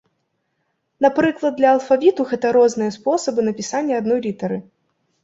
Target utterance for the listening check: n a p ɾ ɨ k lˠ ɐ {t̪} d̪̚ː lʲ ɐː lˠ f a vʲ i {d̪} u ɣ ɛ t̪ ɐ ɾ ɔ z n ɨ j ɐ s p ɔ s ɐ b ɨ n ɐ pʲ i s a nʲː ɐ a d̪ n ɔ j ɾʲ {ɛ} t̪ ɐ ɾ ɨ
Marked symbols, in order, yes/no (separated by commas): no, no, no